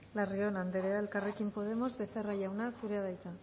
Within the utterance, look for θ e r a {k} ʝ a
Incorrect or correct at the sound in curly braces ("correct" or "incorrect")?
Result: incorrect